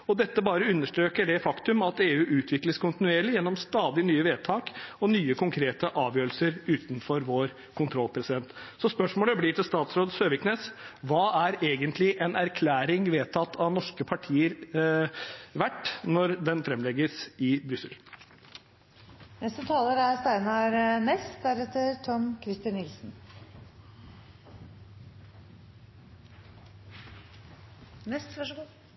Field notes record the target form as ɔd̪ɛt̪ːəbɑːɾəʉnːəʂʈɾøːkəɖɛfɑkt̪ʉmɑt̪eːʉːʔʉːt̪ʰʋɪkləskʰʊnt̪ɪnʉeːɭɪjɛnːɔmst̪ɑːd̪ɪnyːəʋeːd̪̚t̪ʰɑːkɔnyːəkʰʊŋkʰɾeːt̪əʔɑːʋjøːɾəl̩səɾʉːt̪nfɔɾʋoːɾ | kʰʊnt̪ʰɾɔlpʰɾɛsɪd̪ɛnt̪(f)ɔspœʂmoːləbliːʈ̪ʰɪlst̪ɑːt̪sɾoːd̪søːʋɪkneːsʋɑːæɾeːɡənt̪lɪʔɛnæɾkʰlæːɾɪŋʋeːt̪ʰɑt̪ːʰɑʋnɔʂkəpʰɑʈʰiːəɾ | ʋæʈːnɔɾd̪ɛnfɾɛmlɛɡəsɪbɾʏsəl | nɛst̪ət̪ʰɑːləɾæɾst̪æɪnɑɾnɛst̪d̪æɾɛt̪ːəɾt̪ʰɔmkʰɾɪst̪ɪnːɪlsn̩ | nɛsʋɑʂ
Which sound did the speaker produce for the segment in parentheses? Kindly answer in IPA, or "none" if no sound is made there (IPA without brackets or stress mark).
s